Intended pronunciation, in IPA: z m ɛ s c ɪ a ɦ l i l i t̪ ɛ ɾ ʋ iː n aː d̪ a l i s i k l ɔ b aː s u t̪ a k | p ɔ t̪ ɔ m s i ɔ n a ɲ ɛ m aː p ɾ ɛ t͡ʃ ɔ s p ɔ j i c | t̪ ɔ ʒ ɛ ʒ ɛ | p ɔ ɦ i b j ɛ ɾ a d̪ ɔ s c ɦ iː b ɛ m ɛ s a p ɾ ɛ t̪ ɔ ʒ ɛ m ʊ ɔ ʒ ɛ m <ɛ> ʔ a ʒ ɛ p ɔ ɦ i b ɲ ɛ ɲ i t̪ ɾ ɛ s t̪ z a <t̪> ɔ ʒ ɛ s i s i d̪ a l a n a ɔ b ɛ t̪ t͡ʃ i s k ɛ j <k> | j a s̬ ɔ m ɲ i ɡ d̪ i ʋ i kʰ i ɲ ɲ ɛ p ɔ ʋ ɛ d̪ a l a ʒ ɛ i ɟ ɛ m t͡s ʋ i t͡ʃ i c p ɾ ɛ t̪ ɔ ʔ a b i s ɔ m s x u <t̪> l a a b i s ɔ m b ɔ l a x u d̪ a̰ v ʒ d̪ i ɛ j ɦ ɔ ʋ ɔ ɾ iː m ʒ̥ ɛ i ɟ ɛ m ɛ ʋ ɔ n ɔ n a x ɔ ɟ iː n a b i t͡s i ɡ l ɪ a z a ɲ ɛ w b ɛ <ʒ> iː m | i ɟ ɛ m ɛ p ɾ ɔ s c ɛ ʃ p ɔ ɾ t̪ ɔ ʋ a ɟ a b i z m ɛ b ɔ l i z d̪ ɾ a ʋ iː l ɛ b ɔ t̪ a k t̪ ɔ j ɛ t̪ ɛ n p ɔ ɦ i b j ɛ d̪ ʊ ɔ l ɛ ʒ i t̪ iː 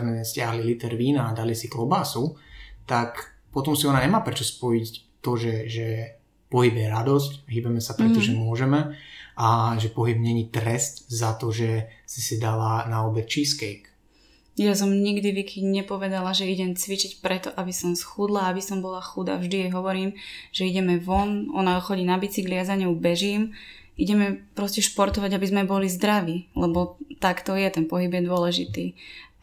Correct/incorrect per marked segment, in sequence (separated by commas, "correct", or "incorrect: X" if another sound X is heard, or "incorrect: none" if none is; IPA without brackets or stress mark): correct, correct, correct, incorrect: d̪, correct